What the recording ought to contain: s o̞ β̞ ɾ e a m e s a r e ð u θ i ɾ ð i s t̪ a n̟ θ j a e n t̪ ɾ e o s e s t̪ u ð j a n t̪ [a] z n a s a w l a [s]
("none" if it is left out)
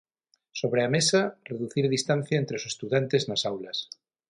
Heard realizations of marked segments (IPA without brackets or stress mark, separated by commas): e, s